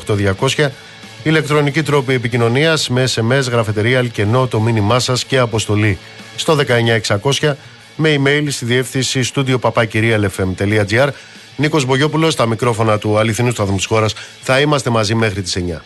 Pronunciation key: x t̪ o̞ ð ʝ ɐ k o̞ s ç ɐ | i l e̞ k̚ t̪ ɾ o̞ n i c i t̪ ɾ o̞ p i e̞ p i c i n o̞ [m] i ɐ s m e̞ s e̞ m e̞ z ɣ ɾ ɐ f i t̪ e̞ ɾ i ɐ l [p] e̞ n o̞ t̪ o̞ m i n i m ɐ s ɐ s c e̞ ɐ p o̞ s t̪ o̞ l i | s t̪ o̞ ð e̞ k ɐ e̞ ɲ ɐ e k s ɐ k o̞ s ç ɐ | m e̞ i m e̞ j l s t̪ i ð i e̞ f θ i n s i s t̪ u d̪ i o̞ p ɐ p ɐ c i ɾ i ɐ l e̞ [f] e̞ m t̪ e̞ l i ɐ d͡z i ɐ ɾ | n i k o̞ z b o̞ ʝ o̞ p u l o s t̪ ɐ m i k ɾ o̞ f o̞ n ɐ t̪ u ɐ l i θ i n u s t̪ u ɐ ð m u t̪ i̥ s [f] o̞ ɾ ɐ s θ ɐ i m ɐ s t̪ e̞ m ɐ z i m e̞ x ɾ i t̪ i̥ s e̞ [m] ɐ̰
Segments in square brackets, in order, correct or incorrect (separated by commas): incorrect, incorrect, correct, incorrect, incorrect